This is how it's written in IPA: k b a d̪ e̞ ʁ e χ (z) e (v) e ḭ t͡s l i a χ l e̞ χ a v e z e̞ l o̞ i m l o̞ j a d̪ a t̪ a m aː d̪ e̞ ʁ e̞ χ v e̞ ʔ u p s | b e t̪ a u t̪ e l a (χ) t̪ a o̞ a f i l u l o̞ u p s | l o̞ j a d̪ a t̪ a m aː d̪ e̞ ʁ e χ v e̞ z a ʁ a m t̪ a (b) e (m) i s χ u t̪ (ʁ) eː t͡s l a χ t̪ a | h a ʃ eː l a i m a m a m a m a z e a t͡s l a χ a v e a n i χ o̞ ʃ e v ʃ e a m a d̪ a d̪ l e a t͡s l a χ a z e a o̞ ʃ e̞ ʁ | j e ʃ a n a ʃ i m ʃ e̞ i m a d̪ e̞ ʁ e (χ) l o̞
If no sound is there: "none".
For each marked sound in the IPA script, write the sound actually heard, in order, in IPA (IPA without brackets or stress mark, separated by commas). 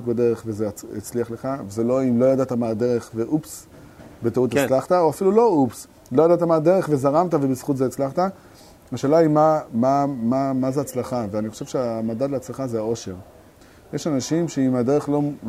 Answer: v, z, χ, v, b, z, χ